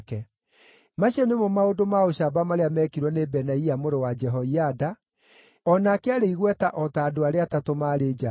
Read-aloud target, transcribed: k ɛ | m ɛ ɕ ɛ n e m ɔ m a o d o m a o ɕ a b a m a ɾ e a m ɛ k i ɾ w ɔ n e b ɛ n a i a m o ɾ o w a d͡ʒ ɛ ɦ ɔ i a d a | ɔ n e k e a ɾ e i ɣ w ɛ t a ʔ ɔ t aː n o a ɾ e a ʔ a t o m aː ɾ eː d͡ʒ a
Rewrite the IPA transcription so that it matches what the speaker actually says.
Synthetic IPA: k ɛ | m a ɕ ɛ n e m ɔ m a o d o m a o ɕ a b a m a ɾ e a m ɛ k i ɾ w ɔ n e b ɛ n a i a m o ɾ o w a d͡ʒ ɛ ɦ ɔ i a d a | ɔ n a k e a ɾ e i ɣ w ɛ t a ʔ ɔ t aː d o a ɾ e a t a t o m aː ɾ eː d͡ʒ a